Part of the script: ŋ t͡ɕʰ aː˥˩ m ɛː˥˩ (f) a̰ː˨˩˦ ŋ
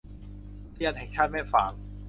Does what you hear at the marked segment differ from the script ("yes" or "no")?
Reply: no